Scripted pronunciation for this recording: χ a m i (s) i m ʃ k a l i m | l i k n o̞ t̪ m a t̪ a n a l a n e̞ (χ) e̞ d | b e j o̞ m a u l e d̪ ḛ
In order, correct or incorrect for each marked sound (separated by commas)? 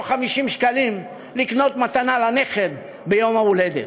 incorrect, correct